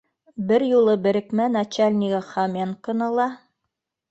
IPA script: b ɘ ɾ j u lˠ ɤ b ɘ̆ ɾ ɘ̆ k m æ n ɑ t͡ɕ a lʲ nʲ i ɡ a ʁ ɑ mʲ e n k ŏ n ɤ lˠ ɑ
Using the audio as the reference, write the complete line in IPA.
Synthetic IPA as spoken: b ɘ ɾ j u lˠ ɤ b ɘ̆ ɾ ɘ̆ k m æ n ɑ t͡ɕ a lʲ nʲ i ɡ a χ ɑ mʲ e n k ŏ n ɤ lˠ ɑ